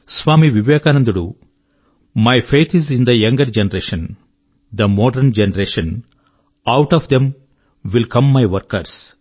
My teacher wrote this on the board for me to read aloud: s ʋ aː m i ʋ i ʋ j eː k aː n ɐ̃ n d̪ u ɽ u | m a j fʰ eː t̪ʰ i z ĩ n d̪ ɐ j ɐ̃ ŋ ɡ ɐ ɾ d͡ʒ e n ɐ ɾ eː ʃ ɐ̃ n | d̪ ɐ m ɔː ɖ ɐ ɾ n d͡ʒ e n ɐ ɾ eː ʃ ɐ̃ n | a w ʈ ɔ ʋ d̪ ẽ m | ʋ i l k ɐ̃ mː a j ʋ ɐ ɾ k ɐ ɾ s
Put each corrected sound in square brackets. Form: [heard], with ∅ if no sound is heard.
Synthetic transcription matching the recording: s ʋ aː m i ʋ i ʋ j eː k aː n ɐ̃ n d̪ u ɽ u | m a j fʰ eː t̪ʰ i z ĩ n d̪ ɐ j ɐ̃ ŋ ɡ ɐ ɾ d͡ʒ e n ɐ ɾ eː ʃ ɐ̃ n | d̪ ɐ m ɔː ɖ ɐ ɾ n d͡ʒ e n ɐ ɾ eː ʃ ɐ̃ n | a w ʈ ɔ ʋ d̪ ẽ m | ʋ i l k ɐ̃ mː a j ʋ ɐ ɾ k ɐ ɾ s